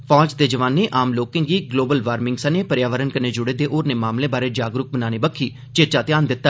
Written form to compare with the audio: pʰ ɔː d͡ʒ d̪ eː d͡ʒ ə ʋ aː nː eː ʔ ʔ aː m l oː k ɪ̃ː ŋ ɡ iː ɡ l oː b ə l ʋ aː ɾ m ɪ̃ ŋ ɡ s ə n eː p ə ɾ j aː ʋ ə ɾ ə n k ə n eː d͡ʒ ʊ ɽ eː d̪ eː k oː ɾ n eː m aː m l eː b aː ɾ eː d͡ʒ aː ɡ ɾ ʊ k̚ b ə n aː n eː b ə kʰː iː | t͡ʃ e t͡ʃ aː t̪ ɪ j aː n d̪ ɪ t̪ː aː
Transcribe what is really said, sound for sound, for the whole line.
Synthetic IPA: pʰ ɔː d͡ʒ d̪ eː d͡ʒ ə ʋ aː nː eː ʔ ʔ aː m l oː k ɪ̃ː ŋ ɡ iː ɡ l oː b ə l ʋ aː ɾ m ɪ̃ ŋ ɡ s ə n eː p ə ɾ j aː ʋ ə ɾ ə n k ə n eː d͡ʒ ʊ ɽ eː d̪ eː ʔ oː ɾ n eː m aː m l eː b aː ɾ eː d͡ʒ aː ɡ ɾ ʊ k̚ b ə n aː n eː b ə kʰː iː | t͡ʃ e t͡ʃ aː t̪ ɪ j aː n d̪ ɪ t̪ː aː

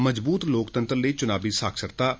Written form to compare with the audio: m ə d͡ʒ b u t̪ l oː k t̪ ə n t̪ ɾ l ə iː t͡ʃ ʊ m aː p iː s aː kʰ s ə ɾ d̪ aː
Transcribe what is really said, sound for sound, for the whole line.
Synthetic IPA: m ə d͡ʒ b uː t̪ l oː k t̪ ə n t̪ ɾ l ə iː t͡ʃ ʊ n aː b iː s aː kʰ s ə ɾ t̪ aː

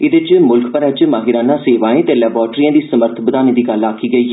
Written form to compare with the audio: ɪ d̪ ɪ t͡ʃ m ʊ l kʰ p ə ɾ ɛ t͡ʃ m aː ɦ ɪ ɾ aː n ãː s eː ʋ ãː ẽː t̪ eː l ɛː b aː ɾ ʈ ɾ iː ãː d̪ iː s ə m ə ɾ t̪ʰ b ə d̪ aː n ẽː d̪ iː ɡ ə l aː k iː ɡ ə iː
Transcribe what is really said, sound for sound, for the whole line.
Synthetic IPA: ɪ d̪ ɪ t͡ʃ m ʊ l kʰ p ə ɾ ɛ t͡ʃ m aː ɦ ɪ ɾ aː n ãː s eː ʋ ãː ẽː t̪ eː l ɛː b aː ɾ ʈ ɾ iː ãː d̪ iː s ə m ə ɾ t̪ʰ b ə d̪ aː n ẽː d̪ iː ɡ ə l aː k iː ɡ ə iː

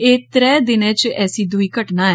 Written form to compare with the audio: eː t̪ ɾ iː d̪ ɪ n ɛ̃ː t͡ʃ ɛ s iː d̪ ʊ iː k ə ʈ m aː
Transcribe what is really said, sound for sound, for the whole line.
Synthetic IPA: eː t̪ ɾ ɛː d̪ ɪ n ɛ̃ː t͡ʃ ɛː s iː d̪ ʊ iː k ə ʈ n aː

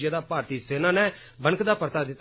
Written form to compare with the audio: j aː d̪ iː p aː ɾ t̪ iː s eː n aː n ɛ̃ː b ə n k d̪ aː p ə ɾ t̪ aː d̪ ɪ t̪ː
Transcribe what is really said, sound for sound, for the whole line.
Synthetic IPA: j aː d̪ aː p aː ɾ t̪ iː s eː n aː n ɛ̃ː b ə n k d̪ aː p ə ɾ t̪ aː d̪ ɪ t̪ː

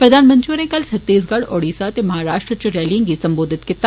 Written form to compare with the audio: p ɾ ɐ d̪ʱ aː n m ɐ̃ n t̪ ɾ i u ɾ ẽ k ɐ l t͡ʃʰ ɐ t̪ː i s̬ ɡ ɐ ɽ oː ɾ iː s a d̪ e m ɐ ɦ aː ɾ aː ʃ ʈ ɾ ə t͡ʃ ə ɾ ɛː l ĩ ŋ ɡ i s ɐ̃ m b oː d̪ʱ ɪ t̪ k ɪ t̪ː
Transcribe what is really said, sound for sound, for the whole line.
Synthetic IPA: p ɾ ɐ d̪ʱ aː n m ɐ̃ n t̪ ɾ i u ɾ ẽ k ɐ l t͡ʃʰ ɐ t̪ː iː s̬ ɡ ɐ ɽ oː ɽ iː s a t̪ e m ɐ ɦ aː ɾ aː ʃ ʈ ɾ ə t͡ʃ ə ɾ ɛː l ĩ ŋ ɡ i s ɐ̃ m b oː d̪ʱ ɪ t̪ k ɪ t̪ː

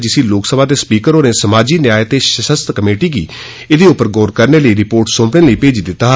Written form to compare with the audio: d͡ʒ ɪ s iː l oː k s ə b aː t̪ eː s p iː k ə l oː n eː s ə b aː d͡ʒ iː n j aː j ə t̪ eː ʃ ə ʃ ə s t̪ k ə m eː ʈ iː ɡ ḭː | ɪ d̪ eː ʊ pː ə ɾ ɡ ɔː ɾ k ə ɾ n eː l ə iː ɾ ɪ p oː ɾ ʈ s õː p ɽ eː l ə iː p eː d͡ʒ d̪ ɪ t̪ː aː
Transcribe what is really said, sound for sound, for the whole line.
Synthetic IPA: d͡ʒ ɪ s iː l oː k s ə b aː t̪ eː s p iː k ə ɾ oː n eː s ə m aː d͡ʒ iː n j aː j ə t̪ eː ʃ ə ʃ ə s t̪ k ə m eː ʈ iː ɡ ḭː | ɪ d̪ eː ʊ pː ə ɾ ɡ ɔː ɾ k ə ɾ n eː l ə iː ɾ ɪ p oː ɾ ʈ s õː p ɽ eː l ə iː p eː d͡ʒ d̪ ɪ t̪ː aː

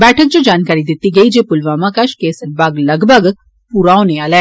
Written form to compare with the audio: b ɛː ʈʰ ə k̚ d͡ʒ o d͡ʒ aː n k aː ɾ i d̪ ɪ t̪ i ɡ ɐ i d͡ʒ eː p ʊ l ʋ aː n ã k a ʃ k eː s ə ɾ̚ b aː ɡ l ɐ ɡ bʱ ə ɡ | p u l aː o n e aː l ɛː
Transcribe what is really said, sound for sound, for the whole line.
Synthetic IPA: b ɛː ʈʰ ə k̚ d͡ʒ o d͡ʒ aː n k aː ɾ i d̪ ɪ t̪ i ɡ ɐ i d͡ʒ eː p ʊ l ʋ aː m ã k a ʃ k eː s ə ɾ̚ b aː ɡ l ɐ ɡ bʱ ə ɡ | p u ɾ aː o n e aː l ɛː

